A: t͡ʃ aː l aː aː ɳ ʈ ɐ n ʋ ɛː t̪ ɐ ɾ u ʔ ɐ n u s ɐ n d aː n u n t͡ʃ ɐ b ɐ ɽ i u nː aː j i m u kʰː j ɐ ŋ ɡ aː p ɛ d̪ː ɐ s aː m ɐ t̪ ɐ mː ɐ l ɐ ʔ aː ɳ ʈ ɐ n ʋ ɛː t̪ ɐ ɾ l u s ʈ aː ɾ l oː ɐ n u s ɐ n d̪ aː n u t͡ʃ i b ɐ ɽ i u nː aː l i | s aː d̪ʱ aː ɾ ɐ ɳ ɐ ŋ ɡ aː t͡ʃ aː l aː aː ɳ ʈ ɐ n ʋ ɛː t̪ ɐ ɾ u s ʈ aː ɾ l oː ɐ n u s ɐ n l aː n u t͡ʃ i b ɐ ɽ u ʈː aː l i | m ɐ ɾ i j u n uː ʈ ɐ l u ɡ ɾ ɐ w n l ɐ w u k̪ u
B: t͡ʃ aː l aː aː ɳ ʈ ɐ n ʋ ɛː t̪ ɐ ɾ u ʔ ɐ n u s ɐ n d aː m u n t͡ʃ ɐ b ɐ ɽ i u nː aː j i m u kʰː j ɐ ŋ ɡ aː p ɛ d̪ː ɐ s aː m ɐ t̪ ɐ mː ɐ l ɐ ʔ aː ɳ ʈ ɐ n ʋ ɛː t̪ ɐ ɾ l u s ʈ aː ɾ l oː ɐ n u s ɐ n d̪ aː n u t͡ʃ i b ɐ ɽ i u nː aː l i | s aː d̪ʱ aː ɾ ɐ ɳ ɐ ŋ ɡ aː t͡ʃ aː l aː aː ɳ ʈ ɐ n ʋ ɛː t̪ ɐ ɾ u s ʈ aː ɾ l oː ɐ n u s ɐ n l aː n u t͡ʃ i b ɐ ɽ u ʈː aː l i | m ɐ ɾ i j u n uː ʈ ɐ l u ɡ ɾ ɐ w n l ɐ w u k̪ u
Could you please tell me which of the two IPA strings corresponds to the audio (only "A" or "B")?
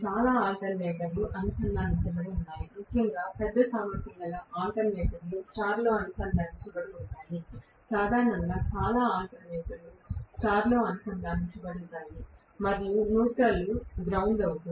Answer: A